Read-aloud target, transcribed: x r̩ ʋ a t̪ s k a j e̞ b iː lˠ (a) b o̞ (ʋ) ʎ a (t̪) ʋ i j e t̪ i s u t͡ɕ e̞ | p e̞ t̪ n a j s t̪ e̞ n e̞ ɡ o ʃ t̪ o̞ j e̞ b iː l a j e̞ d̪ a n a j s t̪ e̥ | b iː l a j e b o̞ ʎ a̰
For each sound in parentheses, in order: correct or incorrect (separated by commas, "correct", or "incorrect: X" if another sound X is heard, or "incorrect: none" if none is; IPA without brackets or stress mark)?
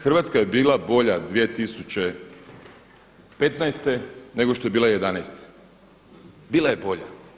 correct, incorrect: none, incorrect: d̪